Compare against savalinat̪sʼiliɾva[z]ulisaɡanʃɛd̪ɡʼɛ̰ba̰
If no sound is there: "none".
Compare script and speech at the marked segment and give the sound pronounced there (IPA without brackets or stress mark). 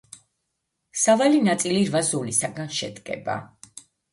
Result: z